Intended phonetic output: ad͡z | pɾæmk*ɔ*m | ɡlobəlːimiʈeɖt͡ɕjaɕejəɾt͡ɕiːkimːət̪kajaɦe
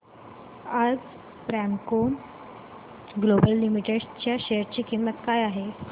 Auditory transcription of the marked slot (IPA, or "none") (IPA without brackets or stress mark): o